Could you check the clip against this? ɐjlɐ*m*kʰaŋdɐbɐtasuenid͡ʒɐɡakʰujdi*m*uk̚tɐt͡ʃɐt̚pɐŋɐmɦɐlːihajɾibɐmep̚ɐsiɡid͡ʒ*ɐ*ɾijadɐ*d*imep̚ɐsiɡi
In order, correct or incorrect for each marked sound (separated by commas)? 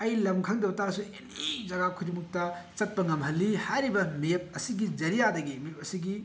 correct, correct, correct, incorrect